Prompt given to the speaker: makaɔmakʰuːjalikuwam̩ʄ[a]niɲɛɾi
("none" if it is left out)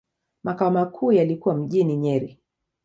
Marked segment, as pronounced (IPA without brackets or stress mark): i